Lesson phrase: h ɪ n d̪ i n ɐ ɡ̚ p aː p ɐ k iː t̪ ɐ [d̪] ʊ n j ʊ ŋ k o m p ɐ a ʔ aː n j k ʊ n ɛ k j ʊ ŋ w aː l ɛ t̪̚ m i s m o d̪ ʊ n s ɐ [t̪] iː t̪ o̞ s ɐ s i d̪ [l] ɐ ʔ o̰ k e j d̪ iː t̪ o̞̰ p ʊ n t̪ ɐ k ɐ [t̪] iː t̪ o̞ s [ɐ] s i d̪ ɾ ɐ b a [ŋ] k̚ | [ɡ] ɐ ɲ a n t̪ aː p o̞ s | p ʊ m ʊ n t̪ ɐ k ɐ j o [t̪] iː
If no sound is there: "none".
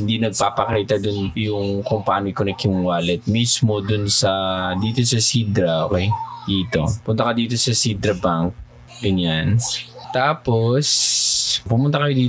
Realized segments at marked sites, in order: d̪, d̪, ɾ, d̪, ɐ, ŋ, ɡ, d̪

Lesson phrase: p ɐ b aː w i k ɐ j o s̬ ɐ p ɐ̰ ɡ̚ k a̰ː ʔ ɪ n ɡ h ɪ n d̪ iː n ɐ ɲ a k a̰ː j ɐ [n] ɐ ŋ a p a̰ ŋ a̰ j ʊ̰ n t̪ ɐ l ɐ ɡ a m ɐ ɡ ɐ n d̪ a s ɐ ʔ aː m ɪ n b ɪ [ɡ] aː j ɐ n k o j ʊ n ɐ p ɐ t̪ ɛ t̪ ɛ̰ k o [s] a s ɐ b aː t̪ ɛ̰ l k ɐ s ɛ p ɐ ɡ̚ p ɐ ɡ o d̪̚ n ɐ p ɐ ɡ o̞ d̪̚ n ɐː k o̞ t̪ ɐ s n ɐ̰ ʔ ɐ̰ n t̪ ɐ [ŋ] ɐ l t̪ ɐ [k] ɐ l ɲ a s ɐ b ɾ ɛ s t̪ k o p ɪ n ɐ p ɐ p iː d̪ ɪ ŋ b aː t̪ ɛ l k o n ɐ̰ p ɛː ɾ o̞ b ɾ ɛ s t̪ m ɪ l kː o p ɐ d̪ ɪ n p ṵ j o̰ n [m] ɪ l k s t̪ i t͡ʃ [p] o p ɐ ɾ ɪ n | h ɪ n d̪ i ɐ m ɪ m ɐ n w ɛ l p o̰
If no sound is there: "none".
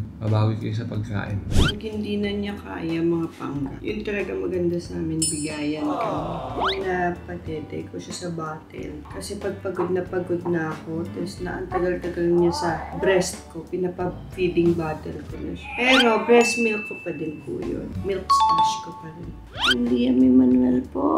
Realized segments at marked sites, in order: m, ɡ, ʃ, ɡ, ɡ, m, k

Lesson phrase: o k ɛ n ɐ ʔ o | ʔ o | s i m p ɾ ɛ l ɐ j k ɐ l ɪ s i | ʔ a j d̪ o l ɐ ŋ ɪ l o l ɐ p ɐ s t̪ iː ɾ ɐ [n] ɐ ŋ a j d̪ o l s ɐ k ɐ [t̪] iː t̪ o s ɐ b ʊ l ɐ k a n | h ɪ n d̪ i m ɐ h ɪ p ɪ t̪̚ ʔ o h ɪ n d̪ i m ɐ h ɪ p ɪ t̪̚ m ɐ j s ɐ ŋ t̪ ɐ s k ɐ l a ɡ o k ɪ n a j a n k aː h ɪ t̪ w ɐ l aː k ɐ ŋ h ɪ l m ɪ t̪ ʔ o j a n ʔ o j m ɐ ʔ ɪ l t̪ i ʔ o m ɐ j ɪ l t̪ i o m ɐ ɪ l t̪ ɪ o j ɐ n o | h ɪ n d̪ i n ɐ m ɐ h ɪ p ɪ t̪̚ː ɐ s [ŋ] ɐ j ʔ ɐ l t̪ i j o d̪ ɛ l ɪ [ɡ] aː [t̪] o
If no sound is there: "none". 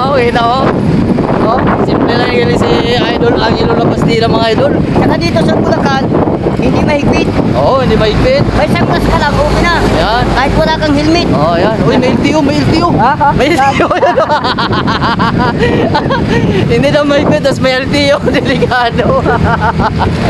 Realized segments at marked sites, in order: m, d̪, m, k, d̪

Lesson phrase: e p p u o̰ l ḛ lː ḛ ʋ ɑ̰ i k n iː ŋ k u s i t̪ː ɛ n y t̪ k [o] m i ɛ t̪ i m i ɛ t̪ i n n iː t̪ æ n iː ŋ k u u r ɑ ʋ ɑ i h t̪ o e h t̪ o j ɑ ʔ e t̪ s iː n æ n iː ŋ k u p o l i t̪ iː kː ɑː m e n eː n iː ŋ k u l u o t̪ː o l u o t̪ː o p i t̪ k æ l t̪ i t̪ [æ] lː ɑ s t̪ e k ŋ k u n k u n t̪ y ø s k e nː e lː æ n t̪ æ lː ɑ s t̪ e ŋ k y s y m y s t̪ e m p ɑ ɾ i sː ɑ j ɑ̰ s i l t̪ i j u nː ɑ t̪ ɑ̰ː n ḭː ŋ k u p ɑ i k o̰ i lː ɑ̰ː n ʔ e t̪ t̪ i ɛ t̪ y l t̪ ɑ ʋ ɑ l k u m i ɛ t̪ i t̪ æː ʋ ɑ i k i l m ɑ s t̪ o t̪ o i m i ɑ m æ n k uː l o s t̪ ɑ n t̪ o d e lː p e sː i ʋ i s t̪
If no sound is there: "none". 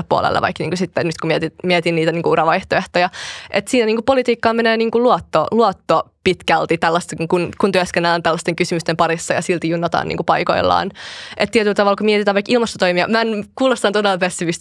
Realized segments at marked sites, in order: u, æ

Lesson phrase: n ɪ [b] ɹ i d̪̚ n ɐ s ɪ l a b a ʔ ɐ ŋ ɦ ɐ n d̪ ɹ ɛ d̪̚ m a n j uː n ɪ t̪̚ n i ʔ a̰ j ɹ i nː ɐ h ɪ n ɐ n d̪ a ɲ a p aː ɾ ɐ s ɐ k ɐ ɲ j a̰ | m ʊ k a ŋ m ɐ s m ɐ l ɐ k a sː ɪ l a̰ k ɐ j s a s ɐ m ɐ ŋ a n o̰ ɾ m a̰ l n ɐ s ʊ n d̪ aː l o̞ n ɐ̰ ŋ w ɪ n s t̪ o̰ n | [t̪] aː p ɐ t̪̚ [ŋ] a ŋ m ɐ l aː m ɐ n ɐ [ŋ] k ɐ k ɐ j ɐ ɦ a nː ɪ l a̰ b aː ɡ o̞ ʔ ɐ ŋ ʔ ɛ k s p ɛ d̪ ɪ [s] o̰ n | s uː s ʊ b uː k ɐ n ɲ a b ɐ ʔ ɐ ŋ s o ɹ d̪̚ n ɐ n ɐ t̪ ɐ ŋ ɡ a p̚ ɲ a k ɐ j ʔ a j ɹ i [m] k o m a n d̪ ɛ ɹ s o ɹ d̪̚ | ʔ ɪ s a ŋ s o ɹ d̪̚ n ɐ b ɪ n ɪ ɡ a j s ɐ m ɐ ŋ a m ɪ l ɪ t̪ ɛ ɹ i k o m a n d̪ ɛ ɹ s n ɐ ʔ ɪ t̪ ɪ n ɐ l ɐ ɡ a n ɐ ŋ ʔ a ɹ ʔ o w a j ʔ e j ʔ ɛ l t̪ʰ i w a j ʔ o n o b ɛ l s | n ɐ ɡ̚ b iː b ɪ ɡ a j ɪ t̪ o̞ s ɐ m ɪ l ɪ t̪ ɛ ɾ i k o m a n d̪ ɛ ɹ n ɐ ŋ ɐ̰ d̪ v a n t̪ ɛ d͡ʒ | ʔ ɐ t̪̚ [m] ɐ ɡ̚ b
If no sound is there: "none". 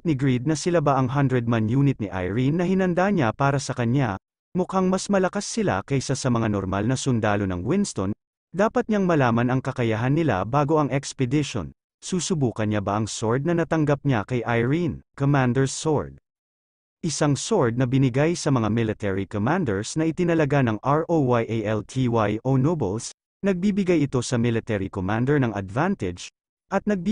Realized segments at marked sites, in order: ɡ, d̪, ɲ, ŋ, ʃ, n, n

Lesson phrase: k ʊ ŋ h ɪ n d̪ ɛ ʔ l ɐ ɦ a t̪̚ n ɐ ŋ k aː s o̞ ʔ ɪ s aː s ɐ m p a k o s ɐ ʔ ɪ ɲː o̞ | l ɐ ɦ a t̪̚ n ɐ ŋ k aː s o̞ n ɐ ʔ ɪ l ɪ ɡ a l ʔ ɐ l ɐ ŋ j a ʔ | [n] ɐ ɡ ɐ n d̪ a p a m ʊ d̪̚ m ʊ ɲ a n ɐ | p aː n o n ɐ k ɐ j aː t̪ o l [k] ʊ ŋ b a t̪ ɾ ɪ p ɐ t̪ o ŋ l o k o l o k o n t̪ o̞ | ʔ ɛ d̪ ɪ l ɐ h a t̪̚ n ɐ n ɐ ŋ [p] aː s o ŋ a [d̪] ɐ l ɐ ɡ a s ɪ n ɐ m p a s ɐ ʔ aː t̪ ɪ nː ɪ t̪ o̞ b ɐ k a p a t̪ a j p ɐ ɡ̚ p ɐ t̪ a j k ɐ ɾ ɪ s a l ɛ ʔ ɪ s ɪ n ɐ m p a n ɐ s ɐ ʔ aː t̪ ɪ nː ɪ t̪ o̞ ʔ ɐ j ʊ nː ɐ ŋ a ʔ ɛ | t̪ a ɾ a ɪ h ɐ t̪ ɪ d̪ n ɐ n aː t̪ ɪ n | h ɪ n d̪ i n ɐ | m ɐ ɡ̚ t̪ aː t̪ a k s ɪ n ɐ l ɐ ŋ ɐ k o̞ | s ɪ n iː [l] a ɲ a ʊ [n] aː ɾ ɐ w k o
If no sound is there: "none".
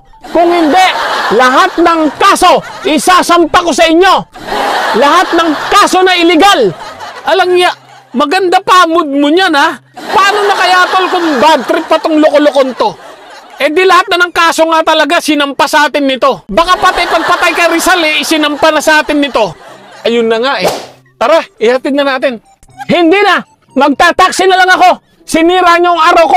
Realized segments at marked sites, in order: m, k, k, t̪, ɾ, ŋ

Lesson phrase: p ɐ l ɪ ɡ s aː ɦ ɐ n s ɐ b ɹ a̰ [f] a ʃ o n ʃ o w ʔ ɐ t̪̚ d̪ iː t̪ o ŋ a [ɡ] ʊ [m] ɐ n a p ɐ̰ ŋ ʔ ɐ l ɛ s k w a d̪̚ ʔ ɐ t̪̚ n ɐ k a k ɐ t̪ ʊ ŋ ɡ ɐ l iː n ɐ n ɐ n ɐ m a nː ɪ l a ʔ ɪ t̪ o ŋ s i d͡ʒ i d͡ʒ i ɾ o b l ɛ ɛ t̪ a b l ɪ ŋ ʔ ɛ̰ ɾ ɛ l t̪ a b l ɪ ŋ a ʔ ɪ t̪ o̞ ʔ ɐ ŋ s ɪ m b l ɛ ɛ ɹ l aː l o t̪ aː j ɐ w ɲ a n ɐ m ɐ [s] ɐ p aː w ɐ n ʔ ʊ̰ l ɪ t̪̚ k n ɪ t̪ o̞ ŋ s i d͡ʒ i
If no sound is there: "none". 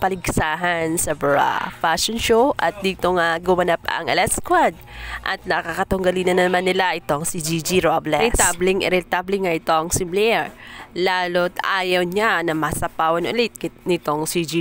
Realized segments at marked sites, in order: f, ɡ, m, s

